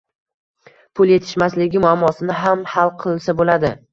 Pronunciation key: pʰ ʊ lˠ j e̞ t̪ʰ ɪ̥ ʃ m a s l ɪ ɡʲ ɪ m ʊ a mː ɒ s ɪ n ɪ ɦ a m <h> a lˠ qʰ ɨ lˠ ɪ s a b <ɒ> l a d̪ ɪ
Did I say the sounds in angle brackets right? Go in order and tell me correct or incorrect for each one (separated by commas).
correct, incorrect